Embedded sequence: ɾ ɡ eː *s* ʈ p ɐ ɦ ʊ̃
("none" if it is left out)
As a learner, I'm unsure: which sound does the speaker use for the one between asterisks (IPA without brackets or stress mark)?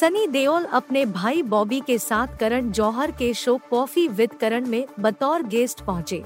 s